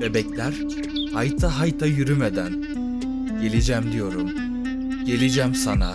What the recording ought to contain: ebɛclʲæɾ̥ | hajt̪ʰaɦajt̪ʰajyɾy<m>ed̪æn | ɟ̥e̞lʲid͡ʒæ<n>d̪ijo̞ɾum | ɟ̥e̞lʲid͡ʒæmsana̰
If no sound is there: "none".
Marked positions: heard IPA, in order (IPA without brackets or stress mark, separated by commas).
m, m